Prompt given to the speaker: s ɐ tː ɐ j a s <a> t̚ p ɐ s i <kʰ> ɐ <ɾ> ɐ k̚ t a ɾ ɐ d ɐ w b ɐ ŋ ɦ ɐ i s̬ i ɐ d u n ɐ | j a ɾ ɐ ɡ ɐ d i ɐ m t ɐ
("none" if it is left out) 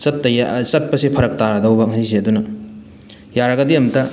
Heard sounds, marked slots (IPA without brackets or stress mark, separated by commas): ɐ, pʰ, ɾ